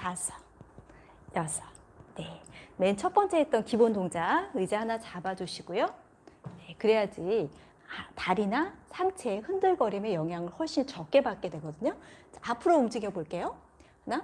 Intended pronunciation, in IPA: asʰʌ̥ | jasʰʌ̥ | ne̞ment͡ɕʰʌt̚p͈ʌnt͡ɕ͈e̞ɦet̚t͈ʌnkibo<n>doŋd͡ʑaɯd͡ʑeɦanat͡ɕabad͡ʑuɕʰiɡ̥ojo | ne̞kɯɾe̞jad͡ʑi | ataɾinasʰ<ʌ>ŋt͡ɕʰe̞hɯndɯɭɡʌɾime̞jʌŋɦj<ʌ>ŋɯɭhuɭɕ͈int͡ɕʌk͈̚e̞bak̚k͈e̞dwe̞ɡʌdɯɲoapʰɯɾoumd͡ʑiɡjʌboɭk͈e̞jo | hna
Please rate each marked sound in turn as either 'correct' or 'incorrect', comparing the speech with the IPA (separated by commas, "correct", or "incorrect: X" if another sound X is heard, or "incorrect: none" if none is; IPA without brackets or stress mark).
correct, incorrect: a, incorrect: a